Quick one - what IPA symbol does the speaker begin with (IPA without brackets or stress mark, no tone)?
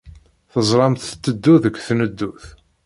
θ